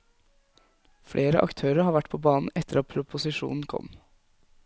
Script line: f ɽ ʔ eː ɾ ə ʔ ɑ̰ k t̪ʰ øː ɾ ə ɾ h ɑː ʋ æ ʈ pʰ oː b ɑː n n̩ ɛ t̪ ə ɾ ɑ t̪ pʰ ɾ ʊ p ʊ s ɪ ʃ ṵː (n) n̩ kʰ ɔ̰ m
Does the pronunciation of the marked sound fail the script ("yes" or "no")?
no